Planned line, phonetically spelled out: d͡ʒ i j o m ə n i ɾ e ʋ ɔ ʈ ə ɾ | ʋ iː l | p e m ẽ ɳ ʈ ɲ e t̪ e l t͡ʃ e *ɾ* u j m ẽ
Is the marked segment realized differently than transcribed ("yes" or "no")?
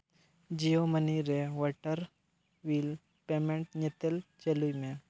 yes